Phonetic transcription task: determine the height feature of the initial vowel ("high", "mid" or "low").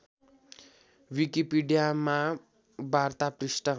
high